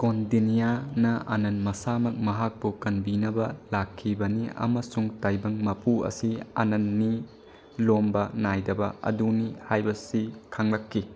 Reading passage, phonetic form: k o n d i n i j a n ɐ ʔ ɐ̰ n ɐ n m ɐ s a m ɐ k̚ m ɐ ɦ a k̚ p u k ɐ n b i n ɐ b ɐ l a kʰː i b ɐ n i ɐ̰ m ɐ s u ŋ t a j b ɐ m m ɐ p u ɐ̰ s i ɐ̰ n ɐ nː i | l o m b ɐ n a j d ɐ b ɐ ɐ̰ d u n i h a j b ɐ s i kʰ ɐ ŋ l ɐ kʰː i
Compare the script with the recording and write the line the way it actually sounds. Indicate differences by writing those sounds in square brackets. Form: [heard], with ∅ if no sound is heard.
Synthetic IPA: k o n d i n i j a n ɐ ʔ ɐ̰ n ɐ n m ɐ s a m ɐ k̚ m ɐ ɦ a k̚ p u k ɐ n b i n ɐ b ɐ l a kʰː i b ɐ n i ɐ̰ m ɐ s u ŋ t a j b ɐ [ŋ] m ɐ p u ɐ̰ s i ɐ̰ n ɐ nː i | l o m b ɐ n a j d ɐ b ɐ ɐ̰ d u n i h a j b ɐ s i kʰ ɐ ŋ l ɐ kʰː i